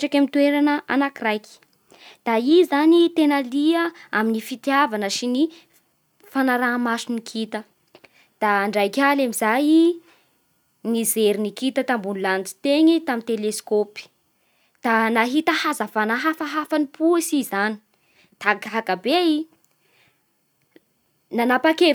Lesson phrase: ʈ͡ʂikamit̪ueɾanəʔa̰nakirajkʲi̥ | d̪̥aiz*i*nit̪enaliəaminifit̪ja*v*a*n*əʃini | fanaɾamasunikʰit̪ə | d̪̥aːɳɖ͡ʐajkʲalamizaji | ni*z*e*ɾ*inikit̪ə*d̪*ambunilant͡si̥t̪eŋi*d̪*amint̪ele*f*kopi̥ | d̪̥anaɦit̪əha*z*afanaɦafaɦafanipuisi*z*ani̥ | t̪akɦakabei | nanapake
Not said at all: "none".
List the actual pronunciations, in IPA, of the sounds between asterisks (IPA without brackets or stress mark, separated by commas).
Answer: a, v, n, z, ɾ, t̪, t̪, s, z, z